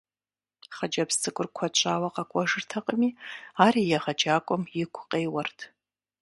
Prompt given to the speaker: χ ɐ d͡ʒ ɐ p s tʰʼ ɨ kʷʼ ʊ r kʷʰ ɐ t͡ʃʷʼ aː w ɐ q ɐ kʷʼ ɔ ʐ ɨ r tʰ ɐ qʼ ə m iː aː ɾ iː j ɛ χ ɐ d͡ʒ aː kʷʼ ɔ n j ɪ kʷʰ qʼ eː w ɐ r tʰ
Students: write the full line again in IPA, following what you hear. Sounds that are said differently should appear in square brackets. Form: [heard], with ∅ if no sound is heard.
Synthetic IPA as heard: χ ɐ d͡ʒ ɐ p s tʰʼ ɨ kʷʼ ʊ r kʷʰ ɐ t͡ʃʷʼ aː w ɐ q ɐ kʷʼ ɔ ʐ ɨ r tʰ ɐ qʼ ə m iː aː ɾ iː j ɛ [ʁ] ɐ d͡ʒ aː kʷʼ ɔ [m] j ɪ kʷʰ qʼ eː w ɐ r tʰ